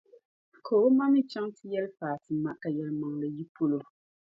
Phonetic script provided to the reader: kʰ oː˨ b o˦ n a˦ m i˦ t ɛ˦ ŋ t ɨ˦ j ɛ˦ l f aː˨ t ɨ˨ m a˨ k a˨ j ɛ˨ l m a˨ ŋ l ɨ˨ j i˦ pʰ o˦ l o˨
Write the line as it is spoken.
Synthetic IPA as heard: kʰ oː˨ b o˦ m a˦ m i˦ t͡ʃ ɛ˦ ŋ t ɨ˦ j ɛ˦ l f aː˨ t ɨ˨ m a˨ k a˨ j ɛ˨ l m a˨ ŋ l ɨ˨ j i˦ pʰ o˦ l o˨